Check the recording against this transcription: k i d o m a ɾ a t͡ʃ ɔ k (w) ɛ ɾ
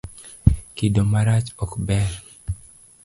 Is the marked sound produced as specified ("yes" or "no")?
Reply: no